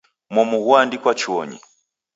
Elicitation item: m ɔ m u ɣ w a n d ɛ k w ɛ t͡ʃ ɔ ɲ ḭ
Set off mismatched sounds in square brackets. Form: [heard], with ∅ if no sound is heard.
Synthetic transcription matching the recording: m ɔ m u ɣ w a n d [i] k w [a] t͡ʃ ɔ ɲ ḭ

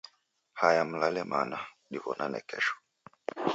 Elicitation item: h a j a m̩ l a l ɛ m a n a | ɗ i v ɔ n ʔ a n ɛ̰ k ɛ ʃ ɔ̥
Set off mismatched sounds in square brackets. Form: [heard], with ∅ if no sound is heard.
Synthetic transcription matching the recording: h a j a m̩ l a l ɛ m a n a | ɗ i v ɔ n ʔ a n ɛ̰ k ɛ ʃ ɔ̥

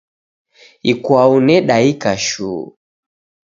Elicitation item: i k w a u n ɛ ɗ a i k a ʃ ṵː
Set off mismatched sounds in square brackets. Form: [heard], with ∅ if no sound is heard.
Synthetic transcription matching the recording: i k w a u n ɛ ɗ a i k a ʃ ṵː

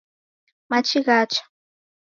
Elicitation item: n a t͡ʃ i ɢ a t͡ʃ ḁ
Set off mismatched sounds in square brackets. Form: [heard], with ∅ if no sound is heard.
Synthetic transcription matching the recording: [m] a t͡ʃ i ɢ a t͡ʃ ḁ

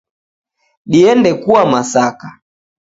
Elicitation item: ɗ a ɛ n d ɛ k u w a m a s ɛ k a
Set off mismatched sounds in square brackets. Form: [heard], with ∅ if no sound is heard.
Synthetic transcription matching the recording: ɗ [i] ɛ n d ɛ k u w a m a s [a] k a

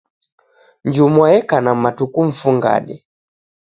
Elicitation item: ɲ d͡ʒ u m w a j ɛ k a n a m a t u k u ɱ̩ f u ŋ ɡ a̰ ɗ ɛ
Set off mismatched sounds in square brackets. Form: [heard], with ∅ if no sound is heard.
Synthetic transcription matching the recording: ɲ d͡ʒ u m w a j ɛ k a n a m a t u k u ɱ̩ f u ŋ ɡ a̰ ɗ ɛ

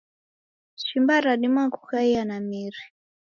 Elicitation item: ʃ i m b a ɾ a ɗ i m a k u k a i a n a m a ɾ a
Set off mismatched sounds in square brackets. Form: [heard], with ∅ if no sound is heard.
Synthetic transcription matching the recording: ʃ i m b a ɾ a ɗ i m a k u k a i a n a m [i] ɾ [i]

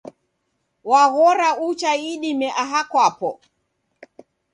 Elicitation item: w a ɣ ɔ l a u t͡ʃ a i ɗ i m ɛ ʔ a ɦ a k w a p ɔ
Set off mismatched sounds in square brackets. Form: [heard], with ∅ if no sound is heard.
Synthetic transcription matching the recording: w a ɣ ɔ [ɾ] a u t͡ʃ a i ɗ i m ɛ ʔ a ɦ a k w a p ɔ

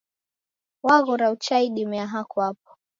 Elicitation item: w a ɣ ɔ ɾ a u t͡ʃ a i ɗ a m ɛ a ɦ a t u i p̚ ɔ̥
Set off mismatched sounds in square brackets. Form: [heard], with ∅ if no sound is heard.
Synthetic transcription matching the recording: w a ɣ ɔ ɾ a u t͡ʃ a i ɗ [i] m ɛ a ɦ a [k] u [a] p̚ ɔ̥

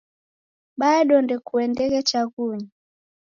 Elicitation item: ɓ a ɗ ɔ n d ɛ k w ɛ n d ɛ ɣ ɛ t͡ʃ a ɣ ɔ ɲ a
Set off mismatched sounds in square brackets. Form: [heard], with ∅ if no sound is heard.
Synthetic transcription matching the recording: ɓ a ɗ ɔ n d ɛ k [u] ɛ n d ɛ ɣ ɛ t͡ʃ a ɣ [u] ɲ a

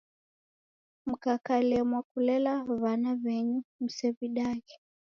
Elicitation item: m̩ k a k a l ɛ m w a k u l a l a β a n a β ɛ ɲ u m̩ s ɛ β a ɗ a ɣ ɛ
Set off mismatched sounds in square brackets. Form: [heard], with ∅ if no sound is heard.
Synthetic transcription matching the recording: m̩ k a k a l ɛ m w a k u l [ɛ] l a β a n a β ɛ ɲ u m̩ s ɛ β [i] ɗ a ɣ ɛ

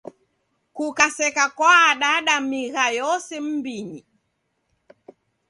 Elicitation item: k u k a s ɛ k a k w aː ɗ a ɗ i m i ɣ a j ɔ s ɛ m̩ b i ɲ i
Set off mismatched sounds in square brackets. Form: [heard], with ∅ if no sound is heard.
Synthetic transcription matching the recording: k u k a s ɛ k a k w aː ɗ a ɗ [a] m i ɣ a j ɔ s ɛ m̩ b i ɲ i

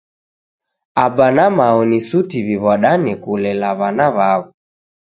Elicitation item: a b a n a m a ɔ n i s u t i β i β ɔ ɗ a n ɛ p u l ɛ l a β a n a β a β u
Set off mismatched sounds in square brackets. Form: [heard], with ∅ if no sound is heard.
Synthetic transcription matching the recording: a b a n a m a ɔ n i s u t i β i β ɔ ɗ a n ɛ [k] u l ɛ l a β a n a β a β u

